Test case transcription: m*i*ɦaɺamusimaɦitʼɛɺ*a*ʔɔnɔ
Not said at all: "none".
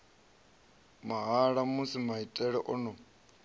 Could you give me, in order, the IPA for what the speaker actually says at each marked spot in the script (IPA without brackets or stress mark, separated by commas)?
a, ɛ